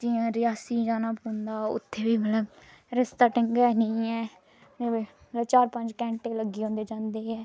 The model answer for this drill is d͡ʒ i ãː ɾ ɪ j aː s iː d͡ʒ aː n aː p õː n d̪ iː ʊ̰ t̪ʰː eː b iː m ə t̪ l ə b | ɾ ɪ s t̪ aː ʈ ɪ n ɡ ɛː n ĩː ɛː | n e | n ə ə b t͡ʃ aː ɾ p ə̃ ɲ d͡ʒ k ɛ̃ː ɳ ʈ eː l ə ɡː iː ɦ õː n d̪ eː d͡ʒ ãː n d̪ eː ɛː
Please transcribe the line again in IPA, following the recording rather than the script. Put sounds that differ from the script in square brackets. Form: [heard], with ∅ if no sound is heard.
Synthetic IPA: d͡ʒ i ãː ɾ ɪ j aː s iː d͡ʒ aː n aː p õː n d̪ [aː] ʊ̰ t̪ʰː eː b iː m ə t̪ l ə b | ɾ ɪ s t̪ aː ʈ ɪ [ŋ] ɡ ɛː n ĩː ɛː | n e | [m] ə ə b t͡ʃ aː ɾ p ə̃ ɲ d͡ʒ k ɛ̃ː ɳ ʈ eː l ə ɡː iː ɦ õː n d̪ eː d͡ʒ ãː n d̪ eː ɛː